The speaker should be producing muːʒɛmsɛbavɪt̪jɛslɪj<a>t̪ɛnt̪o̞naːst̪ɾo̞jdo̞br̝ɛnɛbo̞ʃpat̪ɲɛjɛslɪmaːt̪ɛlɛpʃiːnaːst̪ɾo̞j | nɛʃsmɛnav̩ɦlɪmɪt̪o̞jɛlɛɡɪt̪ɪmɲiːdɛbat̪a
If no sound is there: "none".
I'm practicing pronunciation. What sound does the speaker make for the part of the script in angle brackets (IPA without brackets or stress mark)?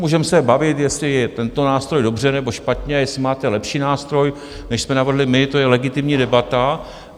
ɛ